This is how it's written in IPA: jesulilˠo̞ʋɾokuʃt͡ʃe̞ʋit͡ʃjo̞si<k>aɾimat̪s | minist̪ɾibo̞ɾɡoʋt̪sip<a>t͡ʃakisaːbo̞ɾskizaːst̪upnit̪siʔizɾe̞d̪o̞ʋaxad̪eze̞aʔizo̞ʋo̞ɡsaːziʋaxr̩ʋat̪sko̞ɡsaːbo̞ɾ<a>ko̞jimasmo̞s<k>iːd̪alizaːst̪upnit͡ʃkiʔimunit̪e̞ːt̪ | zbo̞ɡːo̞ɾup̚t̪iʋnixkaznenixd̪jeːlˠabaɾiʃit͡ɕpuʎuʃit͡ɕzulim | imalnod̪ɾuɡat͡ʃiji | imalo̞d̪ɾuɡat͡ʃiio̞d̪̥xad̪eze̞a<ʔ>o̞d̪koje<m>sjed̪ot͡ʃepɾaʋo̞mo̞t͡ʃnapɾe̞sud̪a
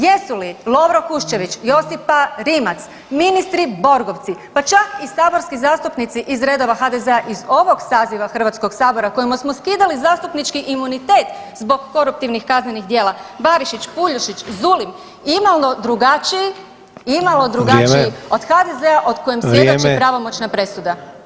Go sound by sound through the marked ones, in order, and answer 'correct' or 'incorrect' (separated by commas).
incorrect, correct, correct, correct, correct, correct